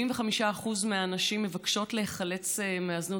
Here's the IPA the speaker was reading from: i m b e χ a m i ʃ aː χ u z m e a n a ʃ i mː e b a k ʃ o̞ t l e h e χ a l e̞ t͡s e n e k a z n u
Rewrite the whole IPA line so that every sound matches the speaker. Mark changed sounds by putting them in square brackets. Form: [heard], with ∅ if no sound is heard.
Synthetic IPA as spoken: i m [v] e χ a m i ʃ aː χ u z m e a n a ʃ i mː e [v] a k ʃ o̞ t l e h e χ a l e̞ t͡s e [m] e [∅] a z n u